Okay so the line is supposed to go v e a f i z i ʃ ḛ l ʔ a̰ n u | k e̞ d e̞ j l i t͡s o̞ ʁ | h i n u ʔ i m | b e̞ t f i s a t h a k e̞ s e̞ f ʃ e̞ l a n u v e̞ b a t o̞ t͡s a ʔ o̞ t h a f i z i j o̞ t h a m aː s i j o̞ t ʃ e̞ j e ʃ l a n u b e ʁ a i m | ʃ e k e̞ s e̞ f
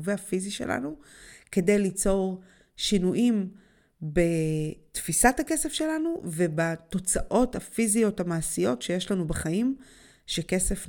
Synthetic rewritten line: v e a f i z i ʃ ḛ l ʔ a̰ n u | k e̞ d e̞ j l i t͡s o̞ ʁ | ʃ i n u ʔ i m | b e̞ t f i s a t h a k e̞ s e̞ f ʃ e̞ l a n u v e̞ b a t o̞ t͡s a ʔ o̞ t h a f i z i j o̞ t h a m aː s i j o̞ t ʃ e̞ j e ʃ l a n u b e χ a i m | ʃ e k e̞ s e̞ f